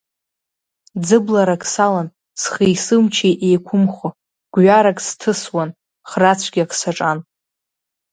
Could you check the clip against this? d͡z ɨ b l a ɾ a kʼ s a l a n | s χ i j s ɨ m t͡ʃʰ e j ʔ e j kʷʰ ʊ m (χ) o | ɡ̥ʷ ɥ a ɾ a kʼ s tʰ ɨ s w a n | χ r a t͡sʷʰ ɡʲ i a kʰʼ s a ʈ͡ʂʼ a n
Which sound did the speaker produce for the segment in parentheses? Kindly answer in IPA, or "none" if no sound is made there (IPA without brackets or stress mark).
χ